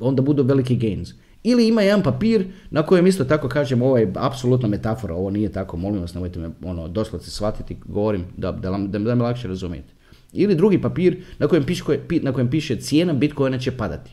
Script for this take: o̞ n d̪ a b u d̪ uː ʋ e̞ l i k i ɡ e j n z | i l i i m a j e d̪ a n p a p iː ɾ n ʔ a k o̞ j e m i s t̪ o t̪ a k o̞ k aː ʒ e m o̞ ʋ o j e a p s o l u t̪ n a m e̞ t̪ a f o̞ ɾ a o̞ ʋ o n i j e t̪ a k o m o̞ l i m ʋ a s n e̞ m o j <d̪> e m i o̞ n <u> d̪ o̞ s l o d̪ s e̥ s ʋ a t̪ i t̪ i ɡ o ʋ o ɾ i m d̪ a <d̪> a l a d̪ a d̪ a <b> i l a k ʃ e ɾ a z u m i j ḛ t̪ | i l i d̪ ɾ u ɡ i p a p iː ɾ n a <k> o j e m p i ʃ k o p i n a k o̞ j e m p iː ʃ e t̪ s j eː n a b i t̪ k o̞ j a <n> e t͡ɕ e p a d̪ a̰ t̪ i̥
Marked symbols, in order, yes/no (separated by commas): no, no, yes, no, yes, yes